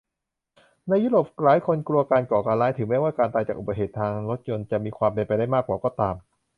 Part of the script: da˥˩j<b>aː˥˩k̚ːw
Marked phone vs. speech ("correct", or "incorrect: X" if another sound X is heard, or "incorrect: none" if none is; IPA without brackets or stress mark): incorrect: m